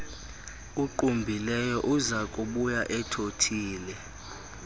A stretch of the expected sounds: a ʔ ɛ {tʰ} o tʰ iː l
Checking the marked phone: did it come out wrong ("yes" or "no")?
no